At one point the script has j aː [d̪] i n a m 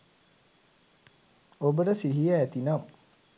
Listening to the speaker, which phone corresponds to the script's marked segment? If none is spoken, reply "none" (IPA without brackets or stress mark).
t̪